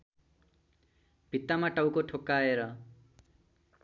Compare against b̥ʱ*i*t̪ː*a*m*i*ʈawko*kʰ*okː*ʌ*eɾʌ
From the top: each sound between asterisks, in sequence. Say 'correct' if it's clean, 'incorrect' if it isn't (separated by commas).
correct, correct, incorrect, incorrect, incorrect